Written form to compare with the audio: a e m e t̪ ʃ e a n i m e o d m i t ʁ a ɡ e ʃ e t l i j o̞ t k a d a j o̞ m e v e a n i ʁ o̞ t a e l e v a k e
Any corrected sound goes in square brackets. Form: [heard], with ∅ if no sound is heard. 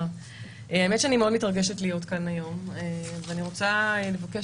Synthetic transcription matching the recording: a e m e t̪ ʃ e a n i m e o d m i t ʁ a ɡ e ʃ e t l i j o̞ t k a [n] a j o̞ m e v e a n i ʁ o̞ [t͡s] a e l e v a k e